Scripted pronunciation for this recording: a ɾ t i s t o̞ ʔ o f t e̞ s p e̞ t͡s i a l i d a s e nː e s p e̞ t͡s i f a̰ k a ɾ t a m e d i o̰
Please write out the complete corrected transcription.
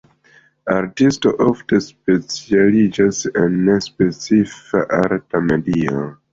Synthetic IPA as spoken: a ɾ t i s t o̞ ʔ o f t e̞ s p e̞ t͡s i a l i d͡ʒ a s e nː e s p e̞ t͡s i f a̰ ʔ a ɾ t a m e d i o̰